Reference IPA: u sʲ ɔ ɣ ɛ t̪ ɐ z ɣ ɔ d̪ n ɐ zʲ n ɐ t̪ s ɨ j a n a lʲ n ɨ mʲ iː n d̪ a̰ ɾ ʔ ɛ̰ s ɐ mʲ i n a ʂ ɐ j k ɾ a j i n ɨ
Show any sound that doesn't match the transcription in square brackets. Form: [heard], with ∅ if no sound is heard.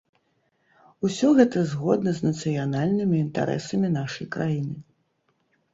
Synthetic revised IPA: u sʲ ɔ ɣ ɛ t̪ ɐ z ɣ ɔ d̪ n ɐ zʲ n ɐ t̪ s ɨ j a n a lʲ n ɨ mʲ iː n [t̪] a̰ ɾ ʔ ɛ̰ s ɐ mʲ i n a ʂ ɐ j k ɾ a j i n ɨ